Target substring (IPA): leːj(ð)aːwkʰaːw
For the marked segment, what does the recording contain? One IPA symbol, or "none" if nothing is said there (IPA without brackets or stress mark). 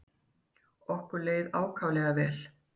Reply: ð